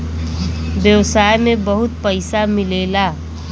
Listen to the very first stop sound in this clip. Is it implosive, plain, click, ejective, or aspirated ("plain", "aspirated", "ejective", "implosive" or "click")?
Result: plain